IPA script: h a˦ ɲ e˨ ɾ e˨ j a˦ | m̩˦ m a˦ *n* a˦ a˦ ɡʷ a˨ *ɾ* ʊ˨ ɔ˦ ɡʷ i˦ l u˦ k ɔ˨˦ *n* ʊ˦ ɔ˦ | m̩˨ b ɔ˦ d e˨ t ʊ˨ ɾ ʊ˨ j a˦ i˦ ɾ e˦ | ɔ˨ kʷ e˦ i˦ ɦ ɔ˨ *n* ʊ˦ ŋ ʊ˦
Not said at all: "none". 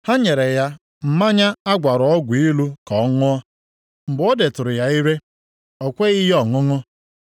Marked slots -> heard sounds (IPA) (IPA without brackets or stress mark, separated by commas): ɲ, ɾ, ŋ, ŋ